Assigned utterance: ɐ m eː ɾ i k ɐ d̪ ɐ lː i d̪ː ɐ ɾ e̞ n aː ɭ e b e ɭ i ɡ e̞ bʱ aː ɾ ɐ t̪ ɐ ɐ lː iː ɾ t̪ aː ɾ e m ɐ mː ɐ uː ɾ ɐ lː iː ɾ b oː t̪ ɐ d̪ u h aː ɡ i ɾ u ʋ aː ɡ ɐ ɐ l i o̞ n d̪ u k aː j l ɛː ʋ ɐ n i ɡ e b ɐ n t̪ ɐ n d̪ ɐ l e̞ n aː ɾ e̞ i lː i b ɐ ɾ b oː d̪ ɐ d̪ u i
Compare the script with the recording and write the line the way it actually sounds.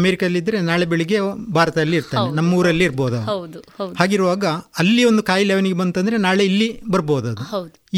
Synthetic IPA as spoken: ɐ m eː ɾ i k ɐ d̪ ɐ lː i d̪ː ɐ ɾ e̞ n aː ɭ e b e ɭ i ɡ e̞ bʱ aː ɾ ɐ t̪ ɐ ɐ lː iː ɾ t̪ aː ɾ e n ɐ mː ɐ uː ɾ ɐ lː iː ɾ b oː d̪ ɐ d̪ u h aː ɡ i ɾ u ʋ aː ɡ ɐ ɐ lː i o̞ n d̪ u k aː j l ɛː ʋ ɐ n i ɡ e b ɐ n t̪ ɐ n d̪ ɐ ɾ e̞ n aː ɭ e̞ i lː i b ɐ ɾ b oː d̪ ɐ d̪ u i